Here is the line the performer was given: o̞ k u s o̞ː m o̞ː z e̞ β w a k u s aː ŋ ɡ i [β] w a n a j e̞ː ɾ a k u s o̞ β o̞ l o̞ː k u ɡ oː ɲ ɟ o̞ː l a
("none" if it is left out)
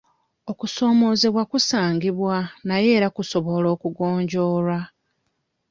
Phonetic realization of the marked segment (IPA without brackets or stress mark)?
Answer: β